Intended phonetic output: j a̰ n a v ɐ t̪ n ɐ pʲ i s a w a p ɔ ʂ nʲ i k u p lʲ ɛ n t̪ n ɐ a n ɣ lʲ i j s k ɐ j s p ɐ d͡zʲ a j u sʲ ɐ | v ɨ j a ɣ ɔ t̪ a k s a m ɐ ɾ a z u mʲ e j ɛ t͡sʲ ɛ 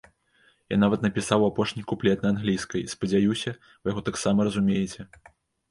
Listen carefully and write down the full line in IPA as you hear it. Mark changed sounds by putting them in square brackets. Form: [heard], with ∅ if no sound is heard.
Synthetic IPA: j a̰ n a v ɐ t̪ n ɐ pʲ i s a w a p ɔ ʂ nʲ i k u p lʲ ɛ [∅] t̪ n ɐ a n ɣ lʲ i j s k ɐ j s p ɐ d͡zʲ a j u sʲ ɐ | v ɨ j a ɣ ɔ t̪ a k s a m ɐ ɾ [ɐ] z u mʲ e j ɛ t͡sʲ ɛ